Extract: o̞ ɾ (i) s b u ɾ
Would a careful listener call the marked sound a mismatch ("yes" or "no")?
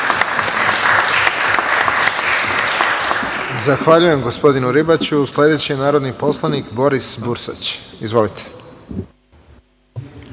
no